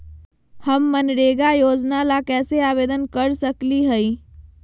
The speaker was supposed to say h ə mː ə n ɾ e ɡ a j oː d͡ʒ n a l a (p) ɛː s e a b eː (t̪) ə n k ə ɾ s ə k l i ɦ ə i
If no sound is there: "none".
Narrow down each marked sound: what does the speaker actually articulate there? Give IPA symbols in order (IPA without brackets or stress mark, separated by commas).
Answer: k, d̪